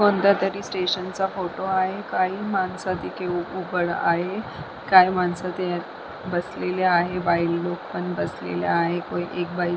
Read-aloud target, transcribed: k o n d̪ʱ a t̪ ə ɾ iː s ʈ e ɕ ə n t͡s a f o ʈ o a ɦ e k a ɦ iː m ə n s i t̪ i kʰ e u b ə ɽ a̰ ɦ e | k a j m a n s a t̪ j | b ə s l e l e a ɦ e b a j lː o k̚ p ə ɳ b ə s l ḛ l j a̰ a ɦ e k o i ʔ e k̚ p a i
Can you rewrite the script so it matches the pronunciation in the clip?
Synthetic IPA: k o n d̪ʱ a t̪ ə ɾ iː s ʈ e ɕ ə n t͡s a f o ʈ o a ɦ e k a ɦ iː m a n s a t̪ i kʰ e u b ə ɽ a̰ ɦ e | k a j m a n s a t̪ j | b ə s l e l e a ɦ e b a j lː o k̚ p ə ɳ b ə s l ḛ l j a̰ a ɦ e k o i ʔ e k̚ b a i